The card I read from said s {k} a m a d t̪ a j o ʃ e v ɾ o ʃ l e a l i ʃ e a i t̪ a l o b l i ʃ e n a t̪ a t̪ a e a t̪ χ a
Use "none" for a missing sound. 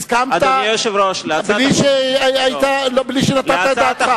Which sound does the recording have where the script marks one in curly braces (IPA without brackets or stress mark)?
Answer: k